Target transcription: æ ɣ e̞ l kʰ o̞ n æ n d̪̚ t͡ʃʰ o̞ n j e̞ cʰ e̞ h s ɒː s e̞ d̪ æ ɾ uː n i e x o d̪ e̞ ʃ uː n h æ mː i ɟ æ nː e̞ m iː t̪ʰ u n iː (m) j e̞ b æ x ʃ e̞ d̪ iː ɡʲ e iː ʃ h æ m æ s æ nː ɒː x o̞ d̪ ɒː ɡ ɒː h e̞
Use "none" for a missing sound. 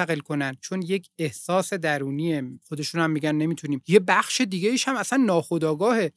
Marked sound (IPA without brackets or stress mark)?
m